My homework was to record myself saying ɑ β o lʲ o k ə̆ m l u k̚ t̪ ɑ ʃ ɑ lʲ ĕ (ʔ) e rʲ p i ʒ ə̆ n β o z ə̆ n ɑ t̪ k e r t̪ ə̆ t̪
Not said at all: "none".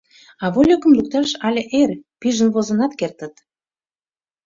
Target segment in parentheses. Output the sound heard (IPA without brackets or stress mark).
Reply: ʔ